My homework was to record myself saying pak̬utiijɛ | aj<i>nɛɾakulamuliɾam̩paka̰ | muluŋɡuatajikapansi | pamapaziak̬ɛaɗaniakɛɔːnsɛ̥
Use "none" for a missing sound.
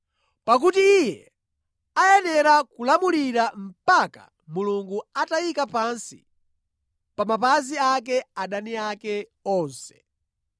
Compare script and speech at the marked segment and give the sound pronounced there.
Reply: ɛ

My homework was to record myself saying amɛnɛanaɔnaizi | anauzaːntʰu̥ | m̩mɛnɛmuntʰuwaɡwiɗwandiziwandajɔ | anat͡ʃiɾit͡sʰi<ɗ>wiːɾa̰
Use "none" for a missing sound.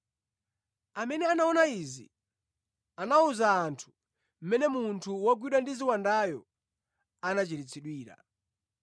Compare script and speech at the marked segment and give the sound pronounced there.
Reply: ɗ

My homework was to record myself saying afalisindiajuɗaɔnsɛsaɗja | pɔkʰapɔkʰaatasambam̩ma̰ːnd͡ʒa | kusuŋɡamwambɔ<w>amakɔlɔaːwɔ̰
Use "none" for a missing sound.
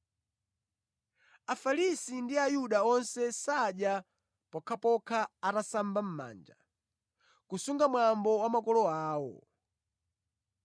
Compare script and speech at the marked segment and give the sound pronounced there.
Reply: w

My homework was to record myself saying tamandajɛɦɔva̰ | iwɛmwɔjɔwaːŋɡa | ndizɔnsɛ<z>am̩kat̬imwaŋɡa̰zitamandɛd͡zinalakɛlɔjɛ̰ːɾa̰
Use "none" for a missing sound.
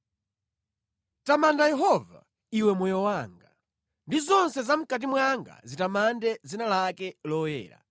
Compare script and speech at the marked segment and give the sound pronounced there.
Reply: z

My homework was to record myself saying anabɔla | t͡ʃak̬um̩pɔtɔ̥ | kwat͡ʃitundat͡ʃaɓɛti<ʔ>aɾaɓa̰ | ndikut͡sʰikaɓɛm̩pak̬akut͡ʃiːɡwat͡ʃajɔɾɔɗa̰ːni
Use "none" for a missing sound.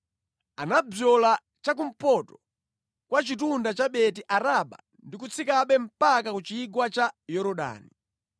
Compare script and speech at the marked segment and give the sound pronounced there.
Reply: ʔ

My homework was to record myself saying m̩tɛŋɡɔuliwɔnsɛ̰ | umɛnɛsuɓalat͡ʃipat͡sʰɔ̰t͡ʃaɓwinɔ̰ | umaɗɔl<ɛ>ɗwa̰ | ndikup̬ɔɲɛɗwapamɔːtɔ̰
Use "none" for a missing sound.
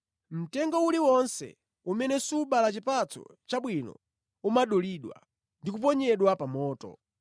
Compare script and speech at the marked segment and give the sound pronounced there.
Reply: i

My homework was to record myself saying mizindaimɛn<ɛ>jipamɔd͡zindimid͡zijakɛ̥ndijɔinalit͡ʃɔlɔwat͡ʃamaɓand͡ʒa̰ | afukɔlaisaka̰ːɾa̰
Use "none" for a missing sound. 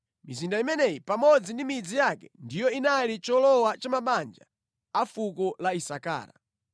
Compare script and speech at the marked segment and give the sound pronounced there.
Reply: ɛ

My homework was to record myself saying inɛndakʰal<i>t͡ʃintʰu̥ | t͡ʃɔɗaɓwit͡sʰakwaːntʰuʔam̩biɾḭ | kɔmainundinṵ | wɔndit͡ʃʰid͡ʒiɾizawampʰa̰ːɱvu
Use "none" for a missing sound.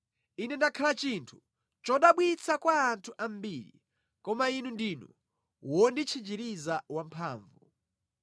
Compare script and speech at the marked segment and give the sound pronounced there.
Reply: a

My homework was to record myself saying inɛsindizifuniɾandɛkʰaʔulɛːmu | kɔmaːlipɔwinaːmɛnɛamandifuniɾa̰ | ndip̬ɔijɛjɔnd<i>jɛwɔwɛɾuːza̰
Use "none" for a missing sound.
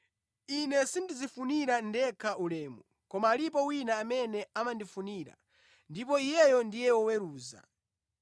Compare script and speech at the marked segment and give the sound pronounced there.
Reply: i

